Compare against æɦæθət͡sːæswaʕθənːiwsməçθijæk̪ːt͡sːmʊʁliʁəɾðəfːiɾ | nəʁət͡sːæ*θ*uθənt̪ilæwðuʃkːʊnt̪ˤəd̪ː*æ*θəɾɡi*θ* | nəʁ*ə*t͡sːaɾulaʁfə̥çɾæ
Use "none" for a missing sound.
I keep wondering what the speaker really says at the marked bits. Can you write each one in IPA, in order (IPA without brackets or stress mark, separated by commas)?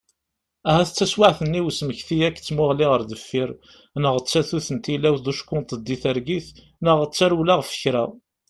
θ, i, θ, ə